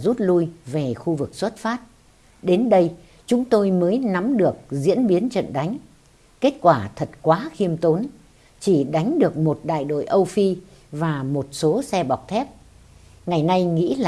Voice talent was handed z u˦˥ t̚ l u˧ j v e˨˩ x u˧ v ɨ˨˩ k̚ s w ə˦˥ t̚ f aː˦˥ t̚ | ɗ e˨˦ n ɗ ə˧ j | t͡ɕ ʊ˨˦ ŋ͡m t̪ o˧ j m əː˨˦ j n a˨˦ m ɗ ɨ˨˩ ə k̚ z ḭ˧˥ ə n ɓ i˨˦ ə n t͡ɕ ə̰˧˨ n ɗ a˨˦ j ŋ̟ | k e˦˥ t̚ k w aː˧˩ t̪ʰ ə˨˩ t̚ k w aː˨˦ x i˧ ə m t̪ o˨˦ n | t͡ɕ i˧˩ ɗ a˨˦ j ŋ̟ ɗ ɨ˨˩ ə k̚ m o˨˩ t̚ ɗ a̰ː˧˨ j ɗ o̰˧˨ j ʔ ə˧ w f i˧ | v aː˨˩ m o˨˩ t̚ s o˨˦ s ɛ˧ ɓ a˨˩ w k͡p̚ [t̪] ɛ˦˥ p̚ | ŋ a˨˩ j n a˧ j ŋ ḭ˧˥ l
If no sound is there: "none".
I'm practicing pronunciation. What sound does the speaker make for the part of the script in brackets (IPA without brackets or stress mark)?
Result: t̪ʰ